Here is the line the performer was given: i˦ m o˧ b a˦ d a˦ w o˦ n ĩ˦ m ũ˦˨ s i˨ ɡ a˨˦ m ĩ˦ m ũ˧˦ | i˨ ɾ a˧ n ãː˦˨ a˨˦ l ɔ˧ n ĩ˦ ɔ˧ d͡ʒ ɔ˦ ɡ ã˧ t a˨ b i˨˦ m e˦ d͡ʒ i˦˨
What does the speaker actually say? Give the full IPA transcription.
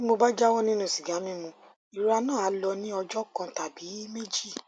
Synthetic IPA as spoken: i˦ m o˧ b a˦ d͡ʒ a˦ w ɔ˦ n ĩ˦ n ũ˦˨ s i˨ ɡ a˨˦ m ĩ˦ m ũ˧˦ | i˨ ɾ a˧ n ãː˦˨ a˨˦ l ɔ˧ n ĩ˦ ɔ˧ d͡ʒ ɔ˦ k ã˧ t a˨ b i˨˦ m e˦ d͡ʒ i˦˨